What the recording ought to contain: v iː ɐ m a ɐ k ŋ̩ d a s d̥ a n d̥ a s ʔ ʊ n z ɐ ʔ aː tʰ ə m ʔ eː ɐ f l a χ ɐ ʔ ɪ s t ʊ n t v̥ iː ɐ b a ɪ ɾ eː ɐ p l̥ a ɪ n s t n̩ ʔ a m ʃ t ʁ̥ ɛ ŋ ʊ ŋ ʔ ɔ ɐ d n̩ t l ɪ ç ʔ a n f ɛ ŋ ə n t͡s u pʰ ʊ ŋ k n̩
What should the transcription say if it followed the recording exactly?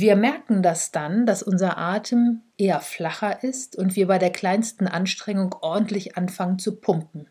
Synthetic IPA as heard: v iː ɐ m ɛ ɐ k ŋ̩ d a s d̥ a n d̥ a s ʔ ʊ n z ɐ ʔ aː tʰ ə m ʔ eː ɐ f l a χ ɐ ʔ ɪ s t ʊ n t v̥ iː ɐ b a ɪ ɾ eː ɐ k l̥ a ɪ n s t n̩ ʔ a n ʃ t ʁ̥ ɛ ŋ ʊ ŋ ʔ ɔ ɐ d n̩ t l ɪ ç ʔ a n f a ŋ ə n t͡s u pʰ ʊ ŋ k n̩